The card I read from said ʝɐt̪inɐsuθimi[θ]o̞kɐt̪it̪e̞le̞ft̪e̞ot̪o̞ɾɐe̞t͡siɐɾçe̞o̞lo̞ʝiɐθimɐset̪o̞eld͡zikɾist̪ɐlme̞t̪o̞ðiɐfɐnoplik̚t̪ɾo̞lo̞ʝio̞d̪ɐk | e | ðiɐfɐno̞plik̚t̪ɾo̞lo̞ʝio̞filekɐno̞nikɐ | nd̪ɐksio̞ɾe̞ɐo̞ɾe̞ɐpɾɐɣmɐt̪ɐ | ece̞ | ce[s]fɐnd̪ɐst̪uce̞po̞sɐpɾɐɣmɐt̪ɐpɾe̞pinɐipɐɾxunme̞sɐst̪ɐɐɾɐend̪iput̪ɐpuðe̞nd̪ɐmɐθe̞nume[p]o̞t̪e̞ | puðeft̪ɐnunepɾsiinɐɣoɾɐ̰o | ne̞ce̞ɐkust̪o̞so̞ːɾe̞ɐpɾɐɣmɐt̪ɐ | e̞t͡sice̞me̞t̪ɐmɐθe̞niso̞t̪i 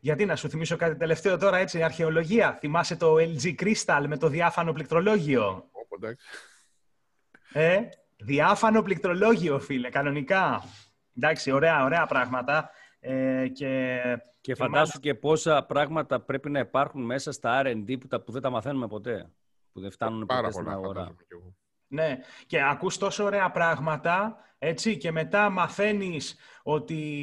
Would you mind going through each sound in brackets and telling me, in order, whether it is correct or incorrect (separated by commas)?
incorrect, incorrect, correct